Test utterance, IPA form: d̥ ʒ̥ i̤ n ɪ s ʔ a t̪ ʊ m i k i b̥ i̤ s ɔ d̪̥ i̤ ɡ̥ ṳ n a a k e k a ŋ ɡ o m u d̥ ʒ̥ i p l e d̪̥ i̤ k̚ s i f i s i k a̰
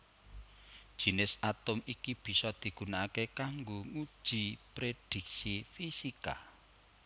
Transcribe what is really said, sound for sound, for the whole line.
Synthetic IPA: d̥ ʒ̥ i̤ n ɪ s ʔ a t̪ ʊ m i k i b̥ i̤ s ɔ d̪̥ i̤ ɡ̥ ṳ n a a k e k a ŋ ɡ o ŋ u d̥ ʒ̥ i p ɾ e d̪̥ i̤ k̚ s i f i s i k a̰